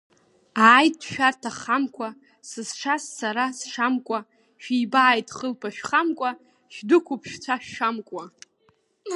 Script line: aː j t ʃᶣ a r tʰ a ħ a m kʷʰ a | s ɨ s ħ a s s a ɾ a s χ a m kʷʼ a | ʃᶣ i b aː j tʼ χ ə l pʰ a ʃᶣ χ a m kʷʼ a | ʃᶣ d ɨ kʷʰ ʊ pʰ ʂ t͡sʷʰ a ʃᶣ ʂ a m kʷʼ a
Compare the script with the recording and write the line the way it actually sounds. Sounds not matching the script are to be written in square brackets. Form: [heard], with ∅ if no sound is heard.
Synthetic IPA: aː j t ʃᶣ a r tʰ a [χ] a m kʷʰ a | s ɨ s [ʂ] a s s a ɾ a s [ʂ] a m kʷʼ a | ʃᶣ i b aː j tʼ χ ə l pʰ a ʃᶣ χ a m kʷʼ a | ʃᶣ d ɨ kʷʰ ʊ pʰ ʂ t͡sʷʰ a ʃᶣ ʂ a m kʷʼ a